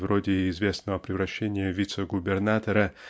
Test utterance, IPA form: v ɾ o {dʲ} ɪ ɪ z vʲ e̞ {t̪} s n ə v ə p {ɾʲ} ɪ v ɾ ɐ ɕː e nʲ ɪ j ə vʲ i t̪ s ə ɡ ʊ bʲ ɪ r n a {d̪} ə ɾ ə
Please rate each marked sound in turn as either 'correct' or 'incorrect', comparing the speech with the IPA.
correct, incorrect: none, correct, incorrect: t̪

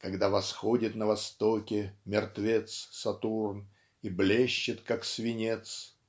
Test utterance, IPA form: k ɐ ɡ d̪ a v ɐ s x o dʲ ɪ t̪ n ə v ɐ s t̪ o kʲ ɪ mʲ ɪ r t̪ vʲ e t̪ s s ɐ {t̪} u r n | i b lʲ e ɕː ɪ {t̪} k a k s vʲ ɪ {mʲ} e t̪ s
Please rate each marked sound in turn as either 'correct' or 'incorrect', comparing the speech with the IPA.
correct, correct, incorrect: nʲ

